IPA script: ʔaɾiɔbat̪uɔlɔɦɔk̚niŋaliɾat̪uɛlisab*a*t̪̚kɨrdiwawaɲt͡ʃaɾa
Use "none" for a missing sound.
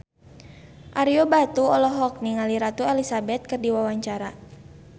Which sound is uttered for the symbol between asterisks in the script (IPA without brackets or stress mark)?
ɛ